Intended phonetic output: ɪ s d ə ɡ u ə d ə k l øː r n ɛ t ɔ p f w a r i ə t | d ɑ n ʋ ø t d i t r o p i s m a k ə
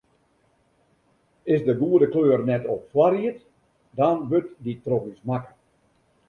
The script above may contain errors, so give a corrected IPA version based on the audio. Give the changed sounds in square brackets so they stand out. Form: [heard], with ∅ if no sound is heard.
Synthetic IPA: ɪ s d ə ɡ u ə d ə k l øː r n ɛ t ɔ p f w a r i ə t | d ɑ n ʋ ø t d i t r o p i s m a k ə